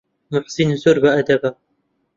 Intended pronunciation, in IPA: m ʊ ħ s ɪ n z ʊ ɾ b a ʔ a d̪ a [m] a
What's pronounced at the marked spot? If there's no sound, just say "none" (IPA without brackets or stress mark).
b